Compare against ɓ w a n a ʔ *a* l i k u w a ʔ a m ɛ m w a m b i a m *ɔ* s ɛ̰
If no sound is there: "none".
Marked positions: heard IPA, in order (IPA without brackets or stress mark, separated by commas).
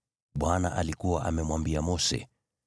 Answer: a, ɔ